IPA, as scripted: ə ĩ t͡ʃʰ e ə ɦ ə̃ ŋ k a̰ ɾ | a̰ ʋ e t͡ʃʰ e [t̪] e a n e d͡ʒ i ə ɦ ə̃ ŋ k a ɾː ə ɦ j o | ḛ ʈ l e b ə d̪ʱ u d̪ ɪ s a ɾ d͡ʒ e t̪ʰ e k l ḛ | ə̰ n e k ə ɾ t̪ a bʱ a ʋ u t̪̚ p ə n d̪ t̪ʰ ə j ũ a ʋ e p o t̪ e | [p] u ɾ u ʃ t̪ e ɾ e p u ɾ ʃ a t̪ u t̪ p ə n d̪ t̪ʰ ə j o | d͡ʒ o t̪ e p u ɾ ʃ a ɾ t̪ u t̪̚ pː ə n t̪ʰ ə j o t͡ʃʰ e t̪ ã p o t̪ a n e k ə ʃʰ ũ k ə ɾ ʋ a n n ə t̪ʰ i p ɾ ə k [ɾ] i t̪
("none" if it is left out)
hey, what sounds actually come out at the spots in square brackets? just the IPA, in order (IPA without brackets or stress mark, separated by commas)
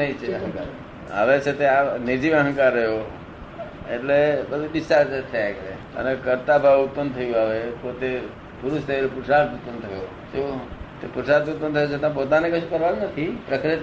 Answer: t̪, p, ɾ